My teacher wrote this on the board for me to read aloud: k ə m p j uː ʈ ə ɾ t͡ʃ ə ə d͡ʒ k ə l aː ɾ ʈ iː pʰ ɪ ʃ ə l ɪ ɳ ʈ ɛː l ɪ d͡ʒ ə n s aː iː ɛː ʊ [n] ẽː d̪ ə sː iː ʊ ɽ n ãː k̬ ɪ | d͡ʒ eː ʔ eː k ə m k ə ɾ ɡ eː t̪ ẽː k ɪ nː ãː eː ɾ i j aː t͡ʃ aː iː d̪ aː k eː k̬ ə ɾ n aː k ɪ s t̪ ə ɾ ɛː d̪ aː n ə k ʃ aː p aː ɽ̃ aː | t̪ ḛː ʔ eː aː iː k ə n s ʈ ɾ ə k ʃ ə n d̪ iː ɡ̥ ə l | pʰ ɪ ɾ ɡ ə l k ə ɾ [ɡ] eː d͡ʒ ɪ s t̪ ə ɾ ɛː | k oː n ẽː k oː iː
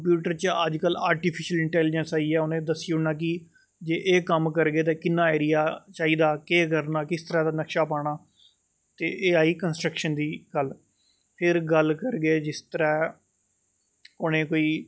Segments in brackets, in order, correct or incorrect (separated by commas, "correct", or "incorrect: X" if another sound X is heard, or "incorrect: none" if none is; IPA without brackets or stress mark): correct, correct